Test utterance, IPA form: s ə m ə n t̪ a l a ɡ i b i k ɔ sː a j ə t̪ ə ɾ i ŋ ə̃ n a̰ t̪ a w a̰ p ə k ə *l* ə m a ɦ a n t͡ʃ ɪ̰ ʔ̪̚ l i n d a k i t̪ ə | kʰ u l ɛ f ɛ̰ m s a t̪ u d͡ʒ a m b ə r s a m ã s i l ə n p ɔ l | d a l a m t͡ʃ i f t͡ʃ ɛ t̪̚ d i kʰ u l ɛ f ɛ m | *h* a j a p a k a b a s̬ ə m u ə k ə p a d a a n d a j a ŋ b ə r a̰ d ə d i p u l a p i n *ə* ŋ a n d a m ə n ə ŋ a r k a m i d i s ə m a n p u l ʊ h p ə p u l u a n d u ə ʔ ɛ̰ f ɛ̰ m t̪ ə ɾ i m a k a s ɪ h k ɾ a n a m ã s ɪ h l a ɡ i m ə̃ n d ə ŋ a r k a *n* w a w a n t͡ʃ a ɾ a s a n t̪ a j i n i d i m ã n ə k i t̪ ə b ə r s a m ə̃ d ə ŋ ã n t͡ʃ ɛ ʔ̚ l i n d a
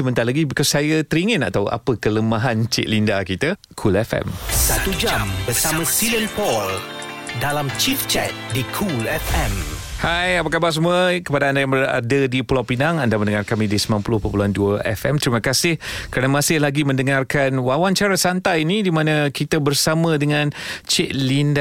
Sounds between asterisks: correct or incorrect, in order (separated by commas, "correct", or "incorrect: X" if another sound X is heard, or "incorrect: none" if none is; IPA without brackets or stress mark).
correct, correct, incorrect: a, correct